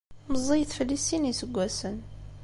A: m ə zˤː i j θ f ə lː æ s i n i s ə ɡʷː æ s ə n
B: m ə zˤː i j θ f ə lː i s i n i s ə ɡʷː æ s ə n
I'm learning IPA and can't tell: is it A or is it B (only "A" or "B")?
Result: B